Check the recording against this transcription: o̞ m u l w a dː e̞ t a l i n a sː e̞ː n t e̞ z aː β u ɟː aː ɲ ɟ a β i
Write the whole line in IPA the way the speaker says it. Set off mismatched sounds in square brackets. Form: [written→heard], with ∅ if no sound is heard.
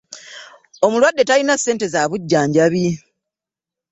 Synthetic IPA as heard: o̞ m u l w a dː e̞ t a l i n a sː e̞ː n t e̞ z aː β u ɟː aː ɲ ɟ a β i